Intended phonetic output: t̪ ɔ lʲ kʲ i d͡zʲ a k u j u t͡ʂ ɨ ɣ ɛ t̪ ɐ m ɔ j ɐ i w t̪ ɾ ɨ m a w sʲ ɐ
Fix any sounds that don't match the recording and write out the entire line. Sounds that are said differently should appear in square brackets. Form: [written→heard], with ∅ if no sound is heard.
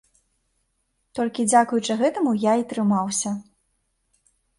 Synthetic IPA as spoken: t̪ ɔ lʲ kʲ i d͡zʲ a k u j u t͡ʂ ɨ ɣ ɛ t̪ ɐ m [ɔ→u] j [ɐ→a] i [w→∅] t̪ ɾ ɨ m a w sʲ ɐ